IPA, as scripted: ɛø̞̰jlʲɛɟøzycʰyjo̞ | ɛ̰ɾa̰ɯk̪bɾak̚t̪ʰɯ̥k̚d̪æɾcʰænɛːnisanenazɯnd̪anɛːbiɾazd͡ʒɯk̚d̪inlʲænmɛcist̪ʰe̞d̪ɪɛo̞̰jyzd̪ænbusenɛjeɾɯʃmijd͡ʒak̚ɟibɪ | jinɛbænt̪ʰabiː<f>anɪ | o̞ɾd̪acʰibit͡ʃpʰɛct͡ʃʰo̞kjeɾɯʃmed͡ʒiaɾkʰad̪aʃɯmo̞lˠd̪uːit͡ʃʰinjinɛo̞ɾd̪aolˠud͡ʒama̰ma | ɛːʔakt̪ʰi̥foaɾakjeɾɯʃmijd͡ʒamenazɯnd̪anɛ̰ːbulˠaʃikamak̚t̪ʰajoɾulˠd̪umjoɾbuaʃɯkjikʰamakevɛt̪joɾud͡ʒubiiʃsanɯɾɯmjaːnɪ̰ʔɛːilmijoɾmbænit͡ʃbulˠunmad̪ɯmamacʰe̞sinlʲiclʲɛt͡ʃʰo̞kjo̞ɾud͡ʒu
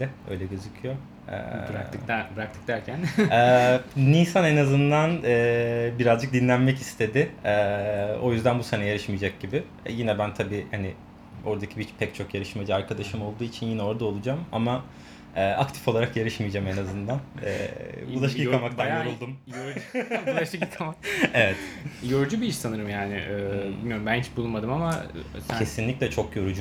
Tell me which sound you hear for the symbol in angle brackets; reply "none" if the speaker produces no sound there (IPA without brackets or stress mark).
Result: h